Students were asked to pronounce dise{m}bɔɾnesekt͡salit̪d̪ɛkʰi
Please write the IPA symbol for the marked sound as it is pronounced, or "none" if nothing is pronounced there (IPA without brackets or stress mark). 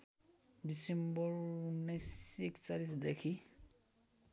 m